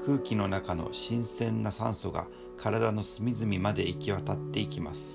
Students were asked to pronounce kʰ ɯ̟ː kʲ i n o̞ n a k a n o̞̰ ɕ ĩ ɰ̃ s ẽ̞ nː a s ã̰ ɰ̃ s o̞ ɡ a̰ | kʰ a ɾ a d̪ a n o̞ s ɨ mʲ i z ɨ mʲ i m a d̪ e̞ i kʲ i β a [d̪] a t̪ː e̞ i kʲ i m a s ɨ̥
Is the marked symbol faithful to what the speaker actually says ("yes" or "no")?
no